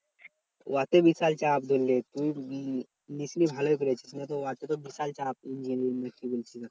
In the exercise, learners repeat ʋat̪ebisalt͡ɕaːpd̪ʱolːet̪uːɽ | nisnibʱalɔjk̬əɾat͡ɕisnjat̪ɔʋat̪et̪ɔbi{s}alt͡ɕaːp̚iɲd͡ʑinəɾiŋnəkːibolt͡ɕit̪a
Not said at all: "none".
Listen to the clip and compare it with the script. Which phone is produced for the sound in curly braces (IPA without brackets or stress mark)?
s